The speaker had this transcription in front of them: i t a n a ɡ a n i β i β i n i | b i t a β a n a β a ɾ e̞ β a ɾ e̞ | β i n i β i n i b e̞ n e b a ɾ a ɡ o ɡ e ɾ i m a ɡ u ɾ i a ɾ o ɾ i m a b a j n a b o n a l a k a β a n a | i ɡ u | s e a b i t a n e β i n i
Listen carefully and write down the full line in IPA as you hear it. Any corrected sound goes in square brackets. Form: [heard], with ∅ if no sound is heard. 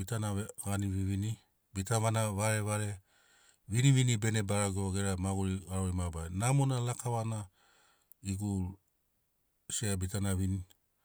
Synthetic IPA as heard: i t a n a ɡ a n i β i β i n i | b i t a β a n a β a ɾ e̞ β a ɾ e̞ | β i n i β i n i b e̞ n e b a ɾ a ɡ o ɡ e ɾ [a] m a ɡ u ɾ i a ɾ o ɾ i m a b a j n a [m] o n a l a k a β a n a | i ɡ u | s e a b i t a n [a] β i n i

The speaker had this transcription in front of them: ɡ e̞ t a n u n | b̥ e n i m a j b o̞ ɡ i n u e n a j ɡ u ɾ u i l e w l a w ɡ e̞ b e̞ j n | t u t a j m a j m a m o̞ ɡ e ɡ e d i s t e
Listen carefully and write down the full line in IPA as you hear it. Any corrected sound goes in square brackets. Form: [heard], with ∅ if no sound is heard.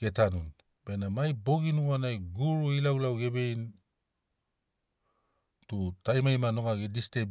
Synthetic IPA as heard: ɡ e̞ t a n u n | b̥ e n [a] m a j b o̞ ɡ i n u [a] n a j ɡ u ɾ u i l [a] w l a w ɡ e̞ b e̞ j n | t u t a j m a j m a [n] o̞ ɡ [a] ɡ e d i s t e

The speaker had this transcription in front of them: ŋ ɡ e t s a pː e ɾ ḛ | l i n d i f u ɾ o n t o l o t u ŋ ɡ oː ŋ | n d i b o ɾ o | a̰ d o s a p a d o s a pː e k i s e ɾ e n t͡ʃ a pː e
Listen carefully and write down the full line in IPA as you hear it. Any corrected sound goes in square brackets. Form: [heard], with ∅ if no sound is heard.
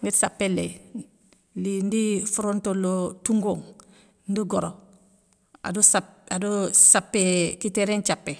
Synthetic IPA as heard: ŋ ɡ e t s a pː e [l] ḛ | l i n d i f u ɾ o n t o l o t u ŋ ɡ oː ŋ | n d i [ɡ] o ɾ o | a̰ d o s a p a d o s a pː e k i [t] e ɾ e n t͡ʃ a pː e

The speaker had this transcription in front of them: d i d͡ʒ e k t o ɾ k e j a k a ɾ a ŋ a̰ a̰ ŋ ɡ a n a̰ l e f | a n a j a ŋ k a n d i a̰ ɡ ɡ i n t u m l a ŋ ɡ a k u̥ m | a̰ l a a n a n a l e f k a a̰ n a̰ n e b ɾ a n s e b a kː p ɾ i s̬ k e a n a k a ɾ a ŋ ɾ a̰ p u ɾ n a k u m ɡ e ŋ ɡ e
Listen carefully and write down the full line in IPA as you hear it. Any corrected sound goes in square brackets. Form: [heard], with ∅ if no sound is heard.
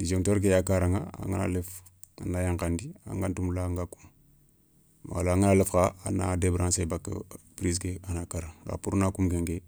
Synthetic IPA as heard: d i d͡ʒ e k t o ɾ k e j a k a ɾ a ŋ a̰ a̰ ŋ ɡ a n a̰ l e f | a n a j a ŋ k a n d i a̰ [ŋ] ɡ [a] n t u m l a ŋ ɡ a k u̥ m | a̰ l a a [ŋ] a n a l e f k a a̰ n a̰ [d] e b ɾ a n s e b a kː p ɾ i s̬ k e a n a k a ɾ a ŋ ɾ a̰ p u ɾ n a k u m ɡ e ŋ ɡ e

